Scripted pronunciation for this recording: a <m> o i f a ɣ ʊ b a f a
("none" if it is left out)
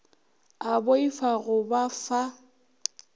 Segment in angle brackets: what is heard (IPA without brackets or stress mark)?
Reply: b